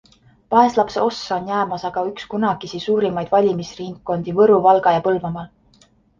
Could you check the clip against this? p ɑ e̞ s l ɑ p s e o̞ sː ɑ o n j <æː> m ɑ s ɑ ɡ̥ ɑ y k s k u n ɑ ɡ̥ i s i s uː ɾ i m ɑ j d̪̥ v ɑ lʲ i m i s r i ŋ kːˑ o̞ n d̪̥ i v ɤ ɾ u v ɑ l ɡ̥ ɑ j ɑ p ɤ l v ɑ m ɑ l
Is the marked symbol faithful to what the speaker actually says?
yes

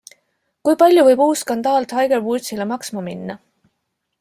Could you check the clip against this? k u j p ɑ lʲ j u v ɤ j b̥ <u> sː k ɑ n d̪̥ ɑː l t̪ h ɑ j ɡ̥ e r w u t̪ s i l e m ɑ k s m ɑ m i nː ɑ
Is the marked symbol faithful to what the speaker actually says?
no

